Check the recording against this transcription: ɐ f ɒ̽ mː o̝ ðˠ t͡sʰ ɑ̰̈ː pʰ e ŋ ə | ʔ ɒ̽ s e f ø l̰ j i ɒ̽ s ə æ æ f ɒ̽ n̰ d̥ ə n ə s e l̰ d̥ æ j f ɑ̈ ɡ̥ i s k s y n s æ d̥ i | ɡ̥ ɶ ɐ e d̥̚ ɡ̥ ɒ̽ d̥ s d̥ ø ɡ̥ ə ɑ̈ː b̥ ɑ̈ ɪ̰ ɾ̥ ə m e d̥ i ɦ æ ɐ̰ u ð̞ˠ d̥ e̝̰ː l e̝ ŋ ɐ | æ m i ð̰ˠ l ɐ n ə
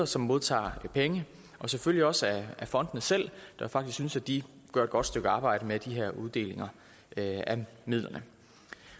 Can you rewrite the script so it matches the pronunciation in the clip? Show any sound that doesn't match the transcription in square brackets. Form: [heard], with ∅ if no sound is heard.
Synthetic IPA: ɐ [s] ɒ̽ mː o̝ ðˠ t͡sʰ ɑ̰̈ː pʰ e ŋ ə | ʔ ɒ̽ s e f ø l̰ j i ɒ̽ s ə æ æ f ɒ̽ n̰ d̥ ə n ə s e l̰ d̥ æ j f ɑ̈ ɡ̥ i s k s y n s æ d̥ i | ɡ̥ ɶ ɐ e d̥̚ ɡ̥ ɒ̽ d̥ s d̥ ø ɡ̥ ə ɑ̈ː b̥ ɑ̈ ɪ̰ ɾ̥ ə m e d̥ i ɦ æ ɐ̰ u ð̞ˠ d̥ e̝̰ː l e̝ ŋ ɐ | æ m i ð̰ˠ l ɐ n ə

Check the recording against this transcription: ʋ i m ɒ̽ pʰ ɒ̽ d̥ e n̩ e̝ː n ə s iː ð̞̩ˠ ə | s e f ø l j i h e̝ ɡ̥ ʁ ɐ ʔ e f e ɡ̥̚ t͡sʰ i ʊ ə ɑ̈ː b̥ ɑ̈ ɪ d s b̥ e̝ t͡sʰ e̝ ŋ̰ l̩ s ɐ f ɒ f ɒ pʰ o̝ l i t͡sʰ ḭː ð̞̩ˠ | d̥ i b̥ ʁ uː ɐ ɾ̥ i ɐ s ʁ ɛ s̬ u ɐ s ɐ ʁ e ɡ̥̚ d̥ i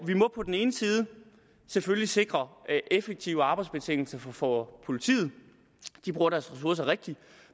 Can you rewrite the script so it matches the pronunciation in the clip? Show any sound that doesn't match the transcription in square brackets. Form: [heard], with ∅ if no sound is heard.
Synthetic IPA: ʋ i m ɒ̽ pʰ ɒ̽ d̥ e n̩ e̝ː n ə s iː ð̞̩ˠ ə | s e f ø l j i [s] e̝ ɡ̥ ʁ ɐ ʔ e f e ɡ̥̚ t͡sʰ i ʊ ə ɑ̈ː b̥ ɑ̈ ɪ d s b̥ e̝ t͡sʰ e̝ ŋ̰ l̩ s ɐ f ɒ f ɒ pʰ o̝ l i t͡sʰ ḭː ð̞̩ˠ | d̥ i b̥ ʁ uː ɐ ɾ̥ [æ] ɐ s ʁ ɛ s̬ u ɐ s ɐ ʁ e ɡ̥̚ d̥ i

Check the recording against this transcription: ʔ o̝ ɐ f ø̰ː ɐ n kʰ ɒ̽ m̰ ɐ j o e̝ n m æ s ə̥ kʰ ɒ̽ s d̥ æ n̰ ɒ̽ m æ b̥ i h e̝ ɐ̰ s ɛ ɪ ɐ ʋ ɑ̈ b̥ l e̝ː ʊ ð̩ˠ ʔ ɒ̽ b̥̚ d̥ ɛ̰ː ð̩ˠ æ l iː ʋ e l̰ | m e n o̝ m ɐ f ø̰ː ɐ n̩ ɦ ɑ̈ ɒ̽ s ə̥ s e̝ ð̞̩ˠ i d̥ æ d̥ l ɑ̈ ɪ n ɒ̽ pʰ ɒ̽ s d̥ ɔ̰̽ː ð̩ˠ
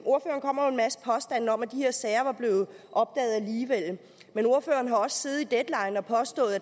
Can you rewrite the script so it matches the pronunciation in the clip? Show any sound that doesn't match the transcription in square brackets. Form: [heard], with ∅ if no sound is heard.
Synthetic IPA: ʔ o̝ ɐ f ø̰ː ɐ n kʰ ɒ̽ m̰ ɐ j o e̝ n m æ s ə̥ [pʰ] ɒ̽ s d̥ æ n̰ ɒ̽ m æ [d̥] i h e̝ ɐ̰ s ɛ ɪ ɐ ʋ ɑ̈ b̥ l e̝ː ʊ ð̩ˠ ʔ ɒ̽ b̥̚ d̥ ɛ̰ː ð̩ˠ æ l iː ʋ e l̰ | m e n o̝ [∅] ɐ f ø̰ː ɐ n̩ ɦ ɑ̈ ɒ̽ s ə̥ s e̝ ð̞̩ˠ i d̥ [e] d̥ l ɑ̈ ɪ n ɒ̽ pʰ ɒ̽ s d̥ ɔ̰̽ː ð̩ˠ

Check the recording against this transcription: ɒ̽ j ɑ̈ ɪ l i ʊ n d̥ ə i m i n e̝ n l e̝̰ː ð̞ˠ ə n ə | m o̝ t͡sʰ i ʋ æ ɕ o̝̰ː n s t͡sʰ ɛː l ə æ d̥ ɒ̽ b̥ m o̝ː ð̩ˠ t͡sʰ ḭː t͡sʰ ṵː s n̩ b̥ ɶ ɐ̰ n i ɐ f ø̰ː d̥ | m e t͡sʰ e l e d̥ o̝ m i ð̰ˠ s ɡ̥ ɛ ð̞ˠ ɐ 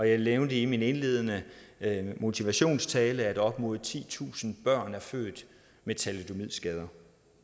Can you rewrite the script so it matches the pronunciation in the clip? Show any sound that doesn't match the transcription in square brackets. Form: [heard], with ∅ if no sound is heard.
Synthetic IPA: ɒ̽ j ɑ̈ ɪ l [e] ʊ n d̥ ə i m i n e̝ n l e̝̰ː ð̞ˠ ə n ə | m o̝ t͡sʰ i ʋ æ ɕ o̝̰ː n s t͡sʰ ɛː l ə æ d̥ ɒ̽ b̥ m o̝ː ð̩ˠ t͡sʰ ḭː t͡sʰ ṵː s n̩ b̥ ɶ ɐ̰ n [æ] ɐ f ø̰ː d̥ | m e t͡sʰ [æ] l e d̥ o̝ m i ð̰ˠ s ɡ̥ ɛ ð̞ˠ ɐ

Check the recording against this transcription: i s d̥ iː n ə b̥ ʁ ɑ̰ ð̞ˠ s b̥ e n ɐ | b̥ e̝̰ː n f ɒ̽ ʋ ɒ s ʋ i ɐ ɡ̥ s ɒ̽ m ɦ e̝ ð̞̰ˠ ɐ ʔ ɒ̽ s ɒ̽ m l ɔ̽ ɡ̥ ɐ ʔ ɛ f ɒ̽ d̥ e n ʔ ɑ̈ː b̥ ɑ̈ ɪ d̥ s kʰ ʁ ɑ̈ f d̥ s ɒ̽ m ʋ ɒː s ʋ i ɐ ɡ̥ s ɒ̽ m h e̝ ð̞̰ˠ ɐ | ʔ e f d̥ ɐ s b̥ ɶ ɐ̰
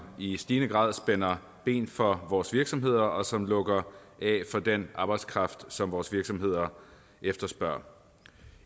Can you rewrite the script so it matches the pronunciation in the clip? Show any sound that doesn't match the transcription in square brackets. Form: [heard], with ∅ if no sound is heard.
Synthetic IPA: i s d̥ iː n ə [ɡ̥] ʁ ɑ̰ ð̞ˠ s b̥ e n ɐ | b̥ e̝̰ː n f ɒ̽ ʋ [ɒː] s ʋ i ɐ ɡ̥ s ɒ̽ m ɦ e̝ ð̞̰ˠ ɐ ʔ ɒ̽ s ɒ̽ m l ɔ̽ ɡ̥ ɐ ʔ ɛ f ɒ̽ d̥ e n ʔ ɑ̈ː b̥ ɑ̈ ɪ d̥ s kʰ ʁ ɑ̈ f d̥ s ɒ̽ m ʋ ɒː s ʋ i ɐ ɡ̥ s ɒ̽ m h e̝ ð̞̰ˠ ɐ | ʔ e f d̥ ɐ s b̥ ɶ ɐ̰

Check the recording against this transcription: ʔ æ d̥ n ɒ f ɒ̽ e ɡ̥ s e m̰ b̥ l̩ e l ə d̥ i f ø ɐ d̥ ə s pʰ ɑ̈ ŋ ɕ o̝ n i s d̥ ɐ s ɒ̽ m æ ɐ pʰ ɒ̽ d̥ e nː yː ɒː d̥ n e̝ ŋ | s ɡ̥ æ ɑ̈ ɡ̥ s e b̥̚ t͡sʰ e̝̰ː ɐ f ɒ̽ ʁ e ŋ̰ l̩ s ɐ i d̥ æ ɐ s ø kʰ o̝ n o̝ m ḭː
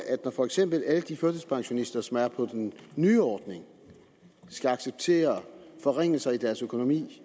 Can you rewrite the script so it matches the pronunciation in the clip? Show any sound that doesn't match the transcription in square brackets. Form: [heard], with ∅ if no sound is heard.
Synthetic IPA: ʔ æ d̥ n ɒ f ɒ̽ e ɡ̥ s e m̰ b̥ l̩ [æ] l ə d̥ i f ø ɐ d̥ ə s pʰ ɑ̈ ŋ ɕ o̝ n i s d̥ ɐ s ɒ̽ m æ ɐ pʰ ɒ̽ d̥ e nː yː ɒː d̥ n e̝ ŋ | s ɡ̥ æ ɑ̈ ɡ̥ s e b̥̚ t͡sʰ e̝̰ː ɐ f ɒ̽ ʁ e ŋ̰ l̩ s ɐ i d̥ æ ɐ s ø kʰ o̝ n o̝ m ḭː

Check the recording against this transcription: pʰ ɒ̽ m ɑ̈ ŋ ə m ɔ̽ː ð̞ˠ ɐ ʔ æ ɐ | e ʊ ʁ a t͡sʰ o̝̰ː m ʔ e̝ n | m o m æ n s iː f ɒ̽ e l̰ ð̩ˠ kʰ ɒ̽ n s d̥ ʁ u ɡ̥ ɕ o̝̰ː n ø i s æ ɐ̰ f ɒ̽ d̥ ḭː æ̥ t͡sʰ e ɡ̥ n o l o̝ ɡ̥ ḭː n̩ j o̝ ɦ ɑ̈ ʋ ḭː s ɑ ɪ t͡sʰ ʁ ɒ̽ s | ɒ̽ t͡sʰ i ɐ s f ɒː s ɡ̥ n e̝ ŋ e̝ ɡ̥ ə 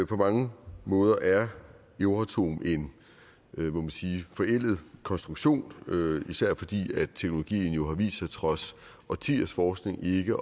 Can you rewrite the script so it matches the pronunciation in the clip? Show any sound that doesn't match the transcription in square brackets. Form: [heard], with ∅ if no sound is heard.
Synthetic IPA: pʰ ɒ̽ m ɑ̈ ŋ ə m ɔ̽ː ð̞ˠ ɐ ʔ æ ɐ | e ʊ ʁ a t͡sʰ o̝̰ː m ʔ e̝ n | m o m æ n s iː f ɒ̽ e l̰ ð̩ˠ kʰ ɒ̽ n s d̥ ʁ u ɡ̥ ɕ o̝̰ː n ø i s æ ɐ̰ f ɒ̽ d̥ ḭː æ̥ t͡sʰ e ɡ̥ n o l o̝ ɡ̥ ḭː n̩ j o̝ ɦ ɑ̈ ʋ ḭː s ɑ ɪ t͡sʰ ʁ ɒ̽ s | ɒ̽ t͡sʰ i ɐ s f ɒː s ɡ̥ n e̝ ŋ e̝ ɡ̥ ə

